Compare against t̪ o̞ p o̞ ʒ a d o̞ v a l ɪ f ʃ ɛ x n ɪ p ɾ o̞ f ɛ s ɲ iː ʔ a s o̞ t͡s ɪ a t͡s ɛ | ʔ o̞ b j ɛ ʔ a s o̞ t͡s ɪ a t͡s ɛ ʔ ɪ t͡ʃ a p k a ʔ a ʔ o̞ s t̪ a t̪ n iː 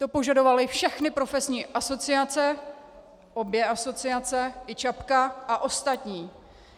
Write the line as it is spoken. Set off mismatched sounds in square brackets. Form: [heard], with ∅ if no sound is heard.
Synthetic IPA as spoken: t̪ o̞ p o̞ ʒ a d o̞ v a l ɪ f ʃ ɛ x n ɪ p ɾ o̞ f ɛ s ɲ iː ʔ a s o̞ t͡s ɪ a t͡s ɛ | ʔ o̞ b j ɛ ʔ a s o̞ t͡s ɪ a t͡s ɛ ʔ ɪ t͡ʃ a p k a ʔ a ʔ o̞ s t̪ a t̪ [ɲ] iː